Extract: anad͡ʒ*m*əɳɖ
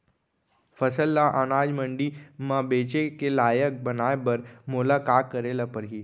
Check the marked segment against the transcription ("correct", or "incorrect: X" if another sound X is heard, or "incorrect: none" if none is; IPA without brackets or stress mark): correct